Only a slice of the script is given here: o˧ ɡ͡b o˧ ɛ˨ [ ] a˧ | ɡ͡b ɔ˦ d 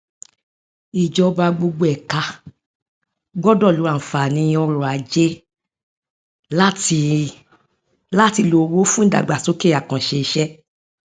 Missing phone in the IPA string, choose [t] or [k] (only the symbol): k